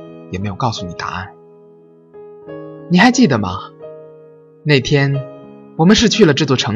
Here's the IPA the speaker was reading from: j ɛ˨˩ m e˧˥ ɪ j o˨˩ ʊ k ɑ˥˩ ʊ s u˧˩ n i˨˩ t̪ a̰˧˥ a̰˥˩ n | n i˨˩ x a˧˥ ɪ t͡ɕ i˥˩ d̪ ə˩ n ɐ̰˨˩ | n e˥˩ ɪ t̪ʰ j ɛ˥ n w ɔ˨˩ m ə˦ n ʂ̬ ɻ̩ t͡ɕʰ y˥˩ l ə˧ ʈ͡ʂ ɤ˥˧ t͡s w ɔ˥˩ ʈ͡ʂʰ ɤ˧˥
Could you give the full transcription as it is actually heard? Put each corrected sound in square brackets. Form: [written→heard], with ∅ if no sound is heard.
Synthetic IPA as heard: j ɛ˨˩ m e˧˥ ɪ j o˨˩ ʊ k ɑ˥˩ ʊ s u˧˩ n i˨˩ t̪ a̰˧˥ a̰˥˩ n | n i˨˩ x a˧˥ ɪ t͡ɕ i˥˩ d̪ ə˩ [n→m] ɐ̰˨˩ | n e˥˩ ɪ t̪ʰ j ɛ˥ n w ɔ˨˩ m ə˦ n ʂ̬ ɻ̩ t͡ɕʰ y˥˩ l [ə˧→ə˩] ʈ͡ʂ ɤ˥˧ t͡s w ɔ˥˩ ʈ͡ʂʰ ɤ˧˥